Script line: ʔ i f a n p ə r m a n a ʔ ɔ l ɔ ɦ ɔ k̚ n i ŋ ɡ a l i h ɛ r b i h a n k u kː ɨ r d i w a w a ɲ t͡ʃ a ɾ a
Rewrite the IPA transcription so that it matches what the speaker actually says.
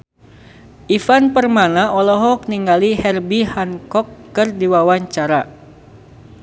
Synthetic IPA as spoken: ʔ i f a n p ə r m a n a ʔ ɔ l ɔ ɦ ɔ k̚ n i ŋ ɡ a l i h ɛ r b i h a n k ɔ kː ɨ r d i w a w a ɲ t͡ʃ a ɾ a